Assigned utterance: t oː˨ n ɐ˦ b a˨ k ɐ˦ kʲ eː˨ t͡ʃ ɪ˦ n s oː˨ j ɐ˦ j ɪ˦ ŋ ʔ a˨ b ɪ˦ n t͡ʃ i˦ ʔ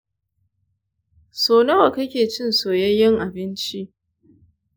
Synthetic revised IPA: s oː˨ n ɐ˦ w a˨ k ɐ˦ kʲ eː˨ t͡ʃ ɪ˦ n s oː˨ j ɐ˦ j ɪ˦ ŋ ʔ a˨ b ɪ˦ n t͡ʃ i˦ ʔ